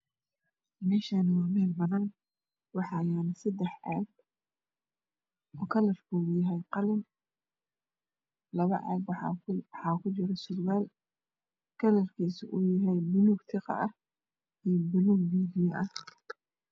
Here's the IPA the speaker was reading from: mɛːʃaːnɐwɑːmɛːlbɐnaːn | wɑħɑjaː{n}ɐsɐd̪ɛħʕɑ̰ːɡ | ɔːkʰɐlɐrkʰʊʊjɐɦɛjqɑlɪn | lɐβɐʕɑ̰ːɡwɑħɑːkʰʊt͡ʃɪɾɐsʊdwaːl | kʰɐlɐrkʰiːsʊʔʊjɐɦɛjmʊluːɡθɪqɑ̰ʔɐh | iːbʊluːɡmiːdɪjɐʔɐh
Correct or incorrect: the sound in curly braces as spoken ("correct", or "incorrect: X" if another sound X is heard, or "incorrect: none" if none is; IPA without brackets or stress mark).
correct